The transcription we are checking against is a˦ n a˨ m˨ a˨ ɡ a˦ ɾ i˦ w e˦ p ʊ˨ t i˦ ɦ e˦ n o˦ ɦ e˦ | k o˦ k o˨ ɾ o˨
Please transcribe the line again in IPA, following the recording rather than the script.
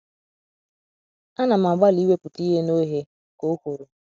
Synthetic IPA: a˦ n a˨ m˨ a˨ ɡ͡b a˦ l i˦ w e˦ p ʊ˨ t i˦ ɦ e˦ n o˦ ɦ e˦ | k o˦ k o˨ ɾ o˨